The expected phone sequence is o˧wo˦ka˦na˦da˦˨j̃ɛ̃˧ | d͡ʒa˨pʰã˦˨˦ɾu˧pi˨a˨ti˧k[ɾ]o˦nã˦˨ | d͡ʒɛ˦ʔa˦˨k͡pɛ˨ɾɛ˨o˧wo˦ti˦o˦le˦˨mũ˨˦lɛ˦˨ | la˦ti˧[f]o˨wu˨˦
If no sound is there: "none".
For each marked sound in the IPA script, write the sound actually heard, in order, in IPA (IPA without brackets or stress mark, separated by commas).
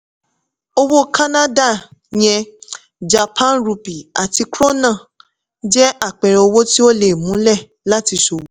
ɾ, ʃ